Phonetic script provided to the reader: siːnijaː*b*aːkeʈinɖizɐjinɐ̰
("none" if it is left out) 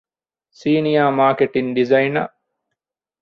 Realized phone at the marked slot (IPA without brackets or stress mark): m